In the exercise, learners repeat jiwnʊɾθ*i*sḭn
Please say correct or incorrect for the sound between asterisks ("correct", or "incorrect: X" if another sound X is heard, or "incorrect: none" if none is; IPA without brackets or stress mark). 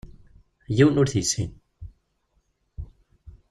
correct